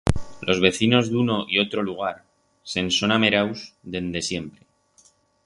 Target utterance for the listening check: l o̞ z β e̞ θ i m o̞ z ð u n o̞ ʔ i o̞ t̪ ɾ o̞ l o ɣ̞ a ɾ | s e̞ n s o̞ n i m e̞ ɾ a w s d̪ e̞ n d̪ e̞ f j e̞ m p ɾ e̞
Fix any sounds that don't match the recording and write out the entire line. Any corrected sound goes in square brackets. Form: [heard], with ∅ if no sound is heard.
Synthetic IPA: l o̞ z β e̞ θ i [n] o̞ z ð u n o̞ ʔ i o̞ t̪ ɾ o̞ l [u] ɣ̞ a ɾ | s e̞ n s o̞ n [a] m e̞ ɾ a w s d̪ e̞ n d̪ e̞ [s] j e̞ m p ɾ e̞